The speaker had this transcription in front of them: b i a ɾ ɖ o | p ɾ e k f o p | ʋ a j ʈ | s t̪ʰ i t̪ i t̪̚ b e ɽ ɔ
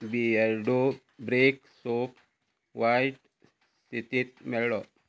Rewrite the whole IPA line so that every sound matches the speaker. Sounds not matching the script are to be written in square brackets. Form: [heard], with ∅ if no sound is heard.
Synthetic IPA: b i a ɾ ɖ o | [b] ɾ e k [s] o p | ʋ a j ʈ | s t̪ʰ i t̪ i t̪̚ [m] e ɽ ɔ